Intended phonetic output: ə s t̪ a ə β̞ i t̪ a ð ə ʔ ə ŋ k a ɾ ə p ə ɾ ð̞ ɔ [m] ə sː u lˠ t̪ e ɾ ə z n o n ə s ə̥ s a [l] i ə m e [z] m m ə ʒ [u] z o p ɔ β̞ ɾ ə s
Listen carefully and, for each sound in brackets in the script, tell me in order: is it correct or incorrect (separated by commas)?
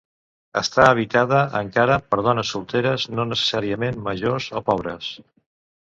incorrect, incorrect, incorrect, incorrect